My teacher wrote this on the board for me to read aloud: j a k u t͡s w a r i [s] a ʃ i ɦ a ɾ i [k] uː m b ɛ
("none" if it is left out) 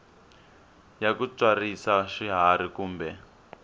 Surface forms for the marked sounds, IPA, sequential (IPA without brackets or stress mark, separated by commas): s, k